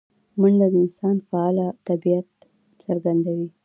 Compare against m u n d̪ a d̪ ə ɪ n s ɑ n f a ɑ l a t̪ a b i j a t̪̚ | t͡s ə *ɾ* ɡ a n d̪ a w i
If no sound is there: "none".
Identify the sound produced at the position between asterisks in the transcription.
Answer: ɾ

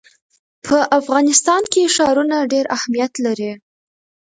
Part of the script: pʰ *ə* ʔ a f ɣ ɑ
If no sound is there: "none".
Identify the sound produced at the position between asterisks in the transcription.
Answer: ə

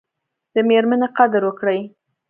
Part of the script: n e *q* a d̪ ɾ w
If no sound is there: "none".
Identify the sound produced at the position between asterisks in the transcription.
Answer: q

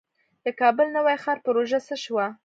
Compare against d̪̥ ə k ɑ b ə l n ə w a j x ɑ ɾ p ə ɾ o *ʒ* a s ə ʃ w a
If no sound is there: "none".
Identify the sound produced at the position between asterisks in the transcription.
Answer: ʒ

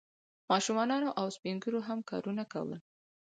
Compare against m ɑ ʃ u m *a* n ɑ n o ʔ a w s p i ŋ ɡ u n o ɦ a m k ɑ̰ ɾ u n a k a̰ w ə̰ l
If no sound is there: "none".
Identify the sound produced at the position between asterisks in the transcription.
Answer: ɑ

